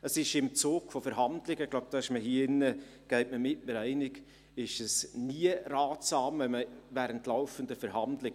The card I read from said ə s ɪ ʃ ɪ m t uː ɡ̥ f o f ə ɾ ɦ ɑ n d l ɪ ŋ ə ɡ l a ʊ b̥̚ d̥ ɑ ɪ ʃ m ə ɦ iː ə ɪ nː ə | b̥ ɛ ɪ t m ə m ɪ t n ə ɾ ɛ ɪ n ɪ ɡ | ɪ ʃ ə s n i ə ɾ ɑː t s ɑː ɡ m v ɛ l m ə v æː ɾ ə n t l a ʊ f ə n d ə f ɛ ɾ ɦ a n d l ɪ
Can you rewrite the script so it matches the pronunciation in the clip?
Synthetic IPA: ə s ɪ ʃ ɪ m t͡s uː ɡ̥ f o f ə ɾ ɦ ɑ n d l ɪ ɡ ə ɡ l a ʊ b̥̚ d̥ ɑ ɪ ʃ m ə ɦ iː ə ɪ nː ə | ɡ̥ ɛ ɪ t m ə m ɪ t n ə ɾ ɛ ɪ n ɪ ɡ | ɪ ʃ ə s n i ə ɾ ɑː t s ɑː m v ɛ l m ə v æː ɾ ə n t l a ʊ f ə n d ə f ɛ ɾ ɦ ɑ n d l ɪ